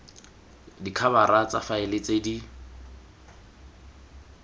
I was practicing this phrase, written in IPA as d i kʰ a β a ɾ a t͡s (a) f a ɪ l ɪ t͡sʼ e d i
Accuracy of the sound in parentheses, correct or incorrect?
correct